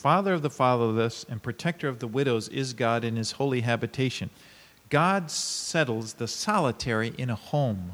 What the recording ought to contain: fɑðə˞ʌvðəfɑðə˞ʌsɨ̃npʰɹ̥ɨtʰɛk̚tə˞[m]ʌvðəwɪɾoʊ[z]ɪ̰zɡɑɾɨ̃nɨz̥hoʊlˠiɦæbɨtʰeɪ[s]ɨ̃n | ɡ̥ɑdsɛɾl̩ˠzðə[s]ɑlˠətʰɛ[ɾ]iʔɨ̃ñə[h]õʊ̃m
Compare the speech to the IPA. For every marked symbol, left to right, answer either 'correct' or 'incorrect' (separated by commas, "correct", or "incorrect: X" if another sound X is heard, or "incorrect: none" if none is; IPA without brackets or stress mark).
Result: incorrect: none, correct, incorrect: ʃ, correct, incorrect: ɹ, correct